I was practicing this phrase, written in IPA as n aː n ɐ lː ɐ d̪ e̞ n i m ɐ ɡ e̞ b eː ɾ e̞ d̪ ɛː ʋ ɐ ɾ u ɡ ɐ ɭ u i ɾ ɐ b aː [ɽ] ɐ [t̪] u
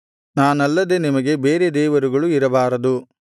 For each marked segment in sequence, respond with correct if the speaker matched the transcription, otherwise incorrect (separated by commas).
incorrect, incorrect